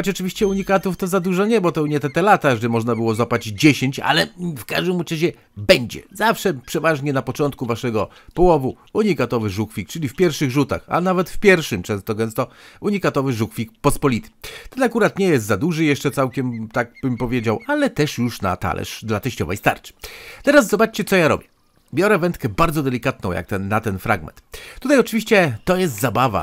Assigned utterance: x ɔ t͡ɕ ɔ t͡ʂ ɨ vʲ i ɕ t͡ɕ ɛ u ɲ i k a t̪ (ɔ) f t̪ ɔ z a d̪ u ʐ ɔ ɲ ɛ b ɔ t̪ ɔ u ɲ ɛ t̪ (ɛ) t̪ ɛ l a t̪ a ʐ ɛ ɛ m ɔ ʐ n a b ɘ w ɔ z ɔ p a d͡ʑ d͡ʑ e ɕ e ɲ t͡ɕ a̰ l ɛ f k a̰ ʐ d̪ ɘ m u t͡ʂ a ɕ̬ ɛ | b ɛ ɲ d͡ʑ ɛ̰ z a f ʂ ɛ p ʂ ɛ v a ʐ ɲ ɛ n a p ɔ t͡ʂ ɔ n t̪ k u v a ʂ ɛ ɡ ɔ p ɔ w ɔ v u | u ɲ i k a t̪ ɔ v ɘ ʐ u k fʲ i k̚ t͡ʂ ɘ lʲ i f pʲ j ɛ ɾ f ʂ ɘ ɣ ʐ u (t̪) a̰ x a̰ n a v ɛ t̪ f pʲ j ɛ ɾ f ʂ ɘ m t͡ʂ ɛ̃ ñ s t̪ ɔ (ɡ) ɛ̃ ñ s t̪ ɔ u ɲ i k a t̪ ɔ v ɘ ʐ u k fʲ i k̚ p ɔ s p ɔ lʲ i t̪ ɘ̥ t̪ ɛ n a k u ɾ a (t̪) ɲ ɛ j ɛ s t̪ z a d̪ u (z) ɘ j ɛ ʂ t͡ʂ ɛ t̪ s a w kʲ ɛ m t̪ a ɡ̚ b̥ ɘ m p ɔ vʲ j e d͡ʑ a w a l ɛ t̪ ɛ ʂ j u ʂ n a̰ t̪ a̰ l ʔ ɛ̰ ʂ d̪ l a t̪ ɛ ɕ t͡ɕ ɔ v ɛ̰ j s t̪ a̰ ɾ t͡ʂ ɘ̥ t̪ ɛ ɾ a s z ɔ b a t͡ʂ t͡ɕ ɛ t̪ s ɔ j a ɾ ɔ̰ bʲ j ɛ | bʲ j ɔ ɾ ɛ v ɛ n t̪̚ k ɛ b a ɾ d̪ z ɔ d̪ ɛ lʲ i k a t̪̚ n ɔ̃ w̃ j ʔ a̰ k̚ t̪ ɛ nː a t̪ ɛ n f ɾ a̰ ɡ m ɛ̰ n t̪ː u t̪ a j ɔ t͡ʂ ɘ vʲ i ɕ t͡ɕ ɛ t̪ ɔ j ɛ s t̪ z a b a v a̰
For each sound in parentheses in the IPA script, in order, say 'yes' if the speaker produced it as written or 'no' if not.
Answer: no, yes, yes, yes, yes, no

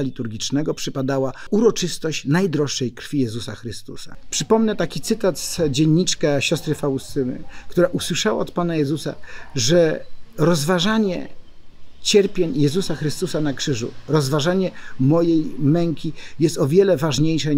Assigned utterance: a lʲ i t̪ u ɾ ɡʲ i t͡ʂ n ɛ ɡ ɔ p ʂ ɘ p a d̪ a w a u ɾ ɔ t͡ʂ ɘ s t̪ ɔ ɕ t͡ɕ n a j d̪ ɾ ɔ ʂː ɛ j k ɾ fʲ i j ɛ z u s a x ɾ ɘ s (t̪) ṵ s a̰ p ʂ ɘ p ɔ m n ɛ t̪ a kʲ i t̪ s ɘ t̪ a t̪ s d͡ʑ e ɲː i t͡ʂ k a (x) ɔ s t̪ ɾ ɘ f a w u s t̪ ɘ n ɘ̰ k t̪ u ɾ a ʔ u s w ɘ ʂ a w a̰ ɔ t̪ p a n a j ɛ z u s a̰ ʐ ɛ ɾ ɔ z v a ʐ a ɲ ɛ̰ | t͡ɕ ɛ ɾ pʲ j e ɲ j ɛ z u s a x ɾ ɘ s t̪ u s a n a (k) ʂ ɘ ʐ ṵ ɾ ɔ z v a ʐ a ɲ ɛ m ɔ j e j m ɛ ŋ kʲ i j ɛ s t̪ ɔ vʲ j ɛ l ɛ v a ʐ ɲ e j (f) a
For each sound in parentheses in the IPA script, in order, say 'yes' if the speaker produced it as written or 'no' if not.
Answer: yes, no, yes, no

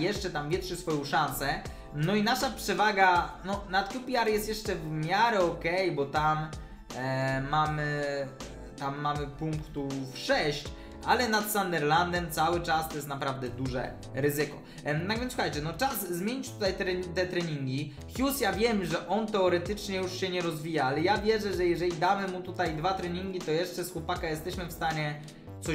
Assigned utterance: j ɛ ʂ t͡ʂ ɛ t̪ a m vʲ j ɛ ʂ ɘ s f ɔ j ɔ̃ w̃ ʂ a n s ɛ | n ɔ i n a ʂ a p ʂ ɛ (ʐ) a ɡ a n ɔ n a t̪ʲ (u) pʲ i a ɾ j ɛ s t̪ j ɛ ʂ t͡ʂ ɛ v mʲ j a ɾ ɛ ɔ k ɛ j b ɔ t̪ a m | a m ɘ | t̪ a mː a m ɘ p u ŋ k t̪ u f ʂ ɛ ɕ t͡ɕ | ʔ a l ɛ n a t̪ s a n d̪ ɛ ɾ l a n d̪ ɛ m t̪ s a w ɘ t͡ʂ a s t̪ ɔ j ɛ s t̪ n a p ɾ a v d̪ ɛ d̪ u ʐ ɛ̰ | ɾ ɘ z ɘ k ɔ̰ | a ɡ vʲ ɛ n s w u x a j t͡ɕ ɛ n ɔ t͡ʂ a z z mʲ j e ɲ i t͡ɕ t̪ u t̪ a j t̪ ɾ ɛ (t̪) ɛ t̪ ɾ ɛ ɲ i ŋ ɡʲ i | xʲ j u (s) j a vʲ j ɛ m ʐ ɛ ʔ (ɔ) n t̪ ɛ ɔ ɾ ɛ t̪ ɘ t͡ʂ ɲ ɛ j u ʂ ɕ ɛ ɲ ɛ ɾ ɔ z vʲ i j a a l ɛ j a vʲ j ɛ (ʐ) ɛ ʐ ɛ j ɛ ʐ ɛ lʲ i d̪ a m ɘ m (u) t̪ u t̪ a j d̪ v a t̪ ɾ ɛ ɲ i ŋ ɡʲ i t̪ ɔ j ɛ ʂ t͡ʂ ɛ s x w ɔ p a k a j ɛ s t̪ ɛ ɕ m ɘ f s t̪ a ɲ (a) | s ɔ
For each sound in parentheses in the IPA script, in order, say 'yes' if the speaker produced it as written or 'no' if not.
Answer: no, yes, yes, yes, yes, yes, yes, no

